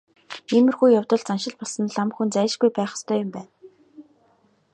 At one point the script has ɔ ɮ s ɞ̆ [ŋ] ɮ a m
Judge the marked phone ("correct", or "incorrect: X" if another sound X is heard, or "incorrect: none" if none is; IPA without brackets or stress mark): incorrect: n